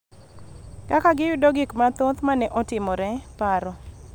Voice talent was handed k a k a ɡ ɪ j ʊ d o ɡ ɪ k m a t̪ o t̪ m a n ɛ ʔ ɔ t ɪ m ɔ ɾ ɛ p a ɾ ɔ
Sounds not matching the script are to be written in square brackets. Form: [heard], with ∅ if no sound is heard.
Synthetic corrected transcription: k a k a ɡ ɪ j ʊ d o ɡ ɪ k m a t̪ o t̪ m a n ɛ ʔ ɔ t ɪ m ɔ ɾ ɛ p a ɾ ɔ